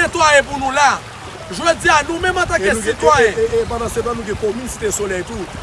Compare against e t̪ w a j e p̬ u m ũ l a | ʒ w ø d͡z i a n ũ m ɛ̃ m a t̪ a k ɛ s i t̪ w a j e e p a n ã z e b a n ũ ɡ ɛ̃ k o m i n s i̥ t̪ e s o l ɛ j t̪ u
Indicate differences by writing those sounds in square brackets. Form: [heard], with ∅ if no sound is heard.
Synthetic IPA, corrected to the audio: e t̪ w a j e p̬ u [n] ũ l a | ʒ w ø d͡z i a n ũ m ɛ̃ m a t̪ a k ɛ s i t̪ w a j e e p a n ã [s] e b a n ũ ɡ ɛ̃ k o m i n s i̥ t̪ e s o l ɛ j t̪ u